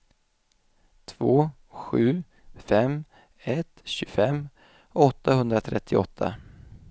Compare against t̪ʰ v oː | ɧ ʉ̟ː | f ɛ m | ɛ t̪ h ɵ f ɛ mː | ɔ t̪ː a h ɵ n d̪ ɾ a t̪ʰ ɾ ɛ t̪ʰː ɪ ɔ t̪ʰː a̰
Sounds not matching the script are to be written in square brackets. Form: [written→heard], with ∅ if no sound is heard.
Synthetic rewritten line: t̪ʰ v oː | ɧ ʉ̟ː | f ɛ m | ɛ t̪ [h→ɕ] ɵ f ɛ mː | ɔ t̪ː a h ɵ n d̪ ɾ a t̪ʰ ɾ ɛ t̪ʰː ɪ ɔ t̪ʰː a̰

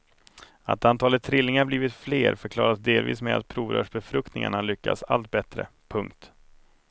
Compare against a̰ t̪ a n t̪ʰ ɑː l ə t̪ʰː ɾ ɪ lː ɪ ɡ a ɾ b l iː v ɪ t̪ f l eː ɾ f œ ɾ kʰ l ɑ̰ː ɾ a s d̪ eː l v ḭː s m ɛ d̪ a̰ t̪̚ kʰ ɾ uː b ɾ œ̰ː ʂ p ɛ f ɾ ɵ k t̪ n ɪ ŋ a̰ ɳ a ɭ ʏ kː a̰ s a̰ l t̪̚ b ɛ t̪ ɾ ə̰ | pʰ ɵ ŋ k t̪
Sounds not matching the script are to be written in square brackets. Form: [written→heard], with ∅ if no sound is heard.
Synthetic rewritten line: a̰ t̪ a n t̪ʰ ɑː l ə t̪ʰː ɾ ɪ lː ɪ [ɡ→ŋ] a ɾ b l iː v ɪ t̪ f l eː ɾ f œ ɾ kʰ l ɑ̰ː ɾ a s d̪ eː l v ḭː s m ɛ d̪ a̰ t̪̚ [kʰ→pʰ] ɾ uː [b→v] ɾ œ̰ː ʂ [p→b] ɛ f ɾ ɵ k t̪ n ɪ ŋ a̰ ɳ a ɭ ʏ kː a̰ s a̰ l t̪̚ b ɛ t̪ ɾ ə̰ | pʰ ɵ ŋ k t̪

